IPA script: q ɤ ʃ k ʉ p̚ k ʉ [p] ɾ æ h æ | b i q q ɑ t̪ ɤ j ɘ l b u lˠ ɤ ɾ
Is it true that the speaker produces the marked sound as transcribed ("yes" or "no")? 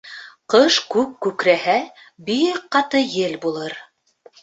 no